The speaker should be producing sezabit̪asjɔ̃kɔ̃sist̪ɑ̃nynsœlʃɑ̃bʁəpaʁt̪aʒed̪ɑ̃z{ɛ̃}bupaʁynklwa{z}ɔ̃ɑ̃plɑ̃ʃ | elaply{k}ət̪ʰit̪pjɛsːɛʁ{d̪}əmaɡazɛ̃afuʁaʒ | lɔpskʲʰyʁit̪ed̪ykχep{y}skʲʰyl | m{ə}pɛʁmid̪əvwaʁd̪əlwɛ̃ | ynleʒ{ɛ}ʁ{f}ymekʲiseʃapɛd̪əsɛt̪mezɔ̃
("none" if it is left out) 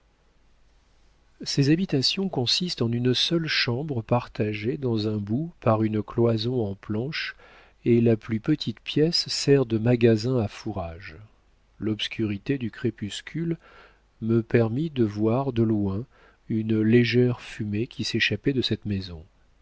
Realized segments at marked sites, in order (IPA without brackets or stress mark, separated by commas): ɛ̃, z, p, d̪, y, ə, ɛ, f